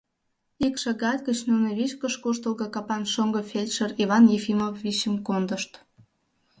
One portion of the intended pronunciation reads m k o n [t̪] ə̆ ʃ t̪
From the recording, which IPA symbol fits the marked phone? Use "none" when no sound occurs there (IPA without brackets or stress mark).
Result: d̪